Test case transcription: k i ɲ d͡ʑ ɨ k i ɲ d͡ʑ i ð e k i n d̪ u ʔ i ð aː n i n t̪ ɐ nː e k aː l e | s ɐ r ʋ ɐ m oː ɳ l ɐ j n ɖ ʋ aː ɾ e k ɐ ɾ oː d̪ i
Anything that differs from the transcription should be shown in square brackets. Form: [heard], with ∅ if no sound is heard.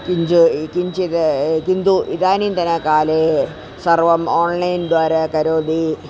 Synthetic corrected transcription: k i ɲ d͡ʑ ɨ k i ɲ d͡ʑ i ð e k i n d̪ u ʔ i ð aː n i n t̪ ɐ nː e k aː l e | s ɐ r ʋ ɐ m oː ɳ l ɐ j n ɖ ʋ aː ɾ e k ɐ ɾ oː d̪ i